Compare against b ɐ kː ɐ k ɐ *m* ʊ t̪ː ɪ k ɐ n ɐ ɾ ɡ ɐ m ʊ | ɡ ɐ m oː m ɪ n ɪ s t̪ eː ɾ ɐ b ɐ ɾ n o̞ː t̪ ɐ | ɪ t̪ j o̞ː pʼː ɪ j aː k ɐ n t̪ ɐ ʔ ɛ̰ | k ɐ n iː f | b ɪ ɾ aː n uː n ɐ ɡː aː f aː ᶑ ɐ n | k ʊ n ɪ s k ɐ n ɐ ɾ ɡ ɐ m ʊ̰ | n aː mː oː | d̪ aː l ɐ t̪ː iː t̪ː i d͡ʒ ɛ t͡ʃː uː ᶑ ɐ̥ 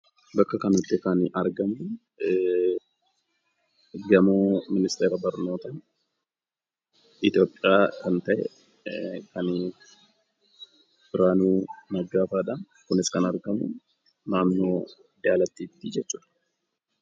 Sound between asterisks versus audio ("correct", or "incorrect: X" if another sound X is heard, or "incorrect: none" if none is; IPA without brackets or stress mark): incorrect: n